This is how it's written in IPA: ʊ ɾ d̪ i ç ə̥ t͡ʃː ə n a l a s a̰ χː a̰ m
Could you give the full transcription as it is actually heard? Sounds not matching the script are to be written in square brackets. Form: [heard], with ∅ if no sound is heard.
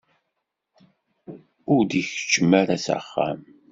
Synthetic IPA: ʊ ɾ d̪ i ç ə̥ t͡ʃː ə [m] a [ɾ] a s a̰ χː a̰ m